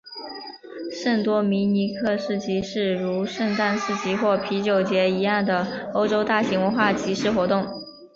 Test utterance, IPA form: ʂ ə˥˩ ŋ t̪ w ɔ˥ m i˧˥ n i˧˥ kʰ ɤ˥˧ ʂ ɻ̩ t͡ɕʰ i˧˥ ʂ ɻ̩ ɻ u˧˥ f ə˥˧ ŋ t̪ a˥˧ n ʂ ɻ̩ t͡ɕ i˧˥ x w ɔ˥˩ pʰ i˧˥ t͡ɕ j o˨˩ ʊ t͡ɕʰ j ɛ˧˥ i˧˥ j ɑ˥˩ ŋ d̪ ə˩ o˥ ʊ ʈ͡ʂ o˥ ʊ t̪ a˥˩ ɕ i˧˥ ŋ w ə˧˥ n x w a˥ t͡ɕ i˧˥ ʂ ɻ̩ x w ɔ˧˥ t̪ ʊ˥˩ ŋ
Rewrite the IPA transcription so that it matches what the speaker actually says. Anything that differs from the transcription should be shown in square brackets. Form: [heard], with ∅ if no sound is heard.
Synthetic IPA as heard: ʂ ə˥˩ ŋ t̪ w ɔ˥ m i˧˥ n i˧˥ kʰ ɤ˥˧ ʂ ɻ̩ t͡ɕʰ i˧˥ ʂ ɻ̩ ɻ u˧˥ [ʂ] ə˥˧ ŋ t̪ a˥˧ n ʂ ɻ̩ t͡ɕ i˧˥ x w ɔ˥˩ pʰ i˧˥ t͡ɕ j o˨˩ ʊ [t͡ɕ] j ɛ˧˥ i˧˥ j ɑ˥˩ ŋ d̪ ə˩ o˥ ʊ ʈ͡ʂ o˥ ʊ t̪ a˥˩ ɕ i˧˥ ŋ w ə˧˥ n x w [a˥˩] t͡ɕ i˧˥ ʂ ɻ̩ x w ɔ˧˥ t̪ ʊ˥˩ ŋ

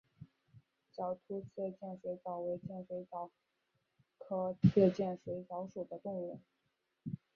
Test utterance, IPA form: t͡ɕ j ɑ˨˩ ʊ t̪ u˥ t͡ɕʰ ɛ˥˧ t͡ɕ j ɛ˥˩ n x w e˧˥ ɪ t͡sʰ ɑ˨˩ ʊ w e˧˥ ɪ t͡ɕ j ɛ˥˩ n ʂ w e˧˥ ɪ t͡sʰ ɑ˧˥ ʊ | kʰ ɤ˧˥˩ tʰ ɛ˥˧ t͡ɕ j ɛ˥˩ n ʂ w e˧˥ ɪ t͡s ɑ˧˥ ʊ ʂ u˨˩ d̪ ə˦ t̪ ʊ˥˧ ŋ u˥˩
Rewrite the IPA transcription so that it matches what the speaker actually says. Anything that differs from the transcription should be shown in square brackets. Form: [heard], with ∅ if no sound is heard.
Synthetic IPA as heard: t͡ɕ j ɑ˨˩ ʊ [t̪ʰ] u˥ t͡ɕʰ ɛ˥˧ t͡ɕ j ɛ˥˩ n [ʂ] w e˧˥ ɪ [t͡s] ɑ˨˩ ʊ w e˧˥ ɪ t͡ɕ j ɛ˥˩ n ʂ w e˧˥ ɪ [t͡s] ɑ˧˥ ʊ | kʰ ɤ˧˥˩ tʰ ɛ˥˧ t͡ɕ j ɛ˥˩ n ʂ w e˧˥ ɪ t͡s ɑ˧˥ ʊ ʂ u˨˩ d̪ ə˦ t̪ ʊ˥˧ ŋ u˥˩

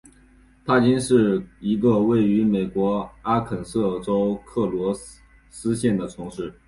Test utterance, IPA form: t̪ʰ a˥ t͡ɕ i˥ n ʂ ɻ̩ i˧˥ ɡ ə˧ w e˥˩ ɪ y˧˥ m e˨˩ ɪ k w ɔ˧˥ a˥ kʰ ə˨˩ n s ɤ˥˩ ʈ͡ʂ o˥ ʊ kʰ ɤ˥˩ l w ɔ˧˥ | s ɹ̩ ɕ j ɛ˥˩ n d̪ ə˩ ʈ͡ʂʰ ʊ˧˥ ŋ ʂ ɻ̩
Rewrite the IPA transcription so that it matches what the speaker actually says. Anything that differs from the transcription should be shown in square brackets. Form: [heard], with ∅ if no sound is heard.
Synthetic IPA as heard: t̪ʰ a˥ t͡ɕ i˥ n ʂ ɻ̩ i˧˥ ɡ ə˧ w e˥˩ ɪ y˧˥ m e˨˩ ɪ k w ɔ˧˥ a˥ kʰ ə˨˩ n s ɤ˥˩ ʈ͡ʂ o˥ ʊ kʰ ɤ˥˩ l w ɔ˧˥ | s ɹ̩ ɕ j ɛ˥˩ n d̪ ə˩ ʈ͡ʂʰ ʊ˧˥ ŋ ʂ ɻ̩

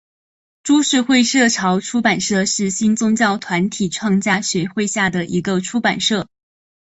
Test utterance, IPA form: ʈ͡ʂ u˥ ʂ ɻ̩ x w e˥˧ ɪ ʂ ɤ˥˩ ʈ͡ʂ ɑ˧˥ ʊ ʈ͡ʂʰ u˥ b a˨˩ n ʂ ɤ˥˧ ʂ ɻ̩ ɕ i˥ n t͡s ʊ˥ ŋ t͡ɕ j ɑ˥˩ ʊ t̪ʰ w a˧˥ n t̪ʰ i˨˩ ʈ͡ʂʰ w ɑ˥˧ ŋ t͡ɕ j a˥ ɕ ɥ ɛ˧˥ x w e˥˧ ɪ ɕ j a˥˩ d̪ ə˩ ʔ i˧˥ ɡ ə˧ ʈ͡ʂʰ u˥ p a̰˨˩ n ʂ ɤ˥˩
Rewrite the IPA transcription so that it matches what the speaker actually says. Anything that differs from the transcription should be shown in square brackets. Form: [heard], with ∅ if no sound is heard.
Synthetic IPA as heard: ʈ͡ʂ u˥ ʂ ɻ̩ x w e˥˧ ɪ ʂ ɤ˥˩ [ʈ͡ʂʰ] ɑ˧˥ ʊ ʈ͡ʂʰ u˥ [p] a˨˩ n ʂ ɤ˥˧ ʂ ɻ̩ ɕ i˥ n t͡s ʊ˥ ŋ t͡ɕ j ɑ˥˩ ʊ t̪ʰ w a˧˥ n t̪ʰ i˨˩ ʈ͡ʂʰ w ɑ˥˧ ŋ t͡ɕ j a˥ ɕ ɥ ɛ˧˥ x w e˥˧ ɪ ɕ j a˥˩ d̪ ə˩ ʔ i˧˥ ɡ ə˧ ʈ͡ʂʰ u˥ p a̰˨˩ n ʂ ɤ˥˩

